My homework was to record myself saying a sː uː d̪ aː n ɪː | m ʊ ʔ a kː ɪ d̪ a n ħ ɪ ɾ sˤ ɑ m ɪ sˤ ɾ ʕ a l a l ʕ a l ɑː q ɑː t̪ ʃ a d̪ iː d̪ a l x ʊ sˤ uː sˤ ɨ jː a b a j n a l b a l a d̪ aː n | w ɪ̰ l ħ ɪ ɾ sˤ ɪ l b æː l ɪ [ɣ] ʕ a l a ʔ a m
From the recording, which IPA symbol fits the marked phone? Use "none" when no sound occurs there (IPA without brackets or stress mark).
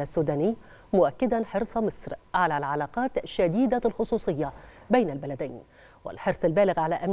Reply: ɣ